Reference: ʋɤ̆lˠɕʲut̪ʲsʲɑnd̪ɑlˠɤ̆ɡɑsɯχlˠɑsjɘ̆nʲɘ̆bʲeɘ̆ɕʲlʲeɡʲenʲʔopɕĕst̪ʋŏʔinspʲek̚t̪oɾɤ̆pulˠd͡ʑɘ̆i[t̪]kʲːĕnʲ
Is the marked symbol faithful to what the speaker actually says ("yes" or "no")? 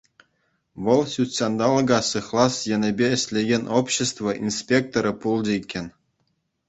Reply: no